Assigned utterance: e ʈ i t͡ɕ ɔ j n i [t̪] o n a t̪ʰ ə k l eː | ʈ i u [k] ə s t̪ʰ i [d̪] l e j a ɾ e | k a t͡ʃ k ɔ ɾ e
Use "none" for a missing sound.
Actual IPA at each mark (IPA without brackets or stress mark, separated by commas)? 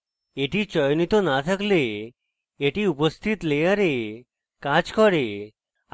t̪, p, t̪